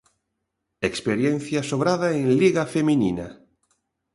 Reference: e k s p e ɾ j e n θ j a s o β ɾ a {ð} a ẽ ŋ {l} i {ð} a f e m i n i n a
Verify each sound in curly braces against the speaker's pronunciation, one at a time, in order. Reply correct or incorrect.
correct, correct, incorrect: ɣ

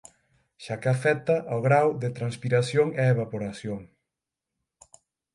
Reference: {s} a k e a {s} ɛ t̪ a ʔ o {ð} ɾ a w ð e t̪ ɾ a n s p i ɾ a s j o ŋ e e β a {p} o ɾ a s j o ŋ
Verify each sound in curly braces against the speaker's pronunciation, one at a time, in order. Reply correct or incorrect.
incorrect: ʃ, incorrect: f, incorrect: ɣ, correct

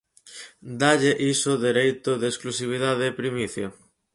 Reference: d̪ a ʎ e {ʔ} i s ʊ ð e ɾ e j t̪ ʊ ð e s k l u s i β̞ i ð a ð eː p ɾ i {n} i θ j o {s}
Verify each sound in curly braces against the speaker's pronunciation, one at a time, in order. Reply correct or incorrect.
correct, incorrect: m, incorrect: none

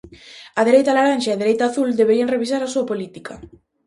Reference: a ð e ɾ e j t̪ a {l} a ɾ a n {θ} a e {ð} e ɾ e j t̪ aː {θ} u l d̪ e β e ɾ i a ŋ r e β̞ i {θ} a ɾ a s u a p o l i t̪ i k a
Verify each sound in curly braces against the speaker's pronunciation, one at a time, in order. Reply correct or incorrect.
correct, incorrect: ʃ, correct, correct, incorrect: s

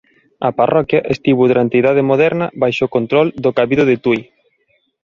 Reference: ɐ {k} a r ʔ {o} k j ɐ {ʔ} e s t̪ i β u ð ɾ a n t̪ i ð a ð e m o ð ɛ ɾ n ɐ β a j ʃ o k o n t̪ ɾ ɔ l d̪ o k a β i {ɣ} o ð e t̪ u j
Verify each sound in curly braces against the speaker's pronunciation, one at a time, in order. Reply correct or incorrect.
incorrect: p, incorrect: ɔ, correct, incorrect: ð

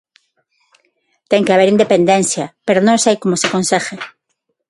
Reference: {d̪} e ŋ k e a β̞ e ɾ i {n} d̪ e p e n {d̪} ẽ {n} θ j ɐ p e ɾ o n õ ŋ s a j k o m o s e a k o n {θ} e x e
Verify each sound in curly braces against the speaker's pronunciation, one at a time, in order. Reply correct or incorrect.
incorrect: t̪, correct, correct, correct, incorrect: s

